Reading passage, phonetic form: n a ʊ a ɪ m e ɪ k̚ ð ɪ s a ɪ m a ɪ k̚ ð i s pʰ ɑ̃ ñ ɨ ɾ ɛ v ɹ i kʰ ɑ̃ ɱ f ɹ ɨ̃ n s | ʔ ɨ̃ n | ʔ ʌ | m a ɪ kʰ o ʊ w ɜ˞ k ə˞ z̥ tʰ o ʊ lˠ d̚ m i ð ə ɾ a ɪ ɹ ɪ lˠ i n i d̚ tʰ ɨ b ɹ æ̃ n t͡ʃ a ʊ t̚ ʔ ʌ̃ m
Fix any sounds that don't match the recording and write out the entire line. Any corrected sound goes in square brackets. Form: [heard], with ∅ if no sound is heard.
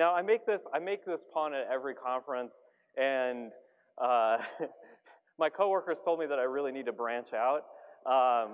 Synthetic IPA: n a ʊ a ɪ m e ɪ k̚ ð ɪ s a ɪ m [e] ɪ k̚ ð [ɪ] s pʰ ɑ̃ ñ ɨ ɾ ɛ v ɹ i kʰ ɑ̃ ɱ f ɹ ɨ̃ n s | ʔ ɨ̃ n | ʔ ʌ | m a ɪ kʰ o ʊ w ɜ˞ k ə˞ z̥ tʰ o ʊ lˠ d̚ m i ð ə ɾ a ɪ ɹ ɪ lˠ i n i d̚ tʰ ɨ b ɹ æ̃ n t͡ʃ a ʊ t̚ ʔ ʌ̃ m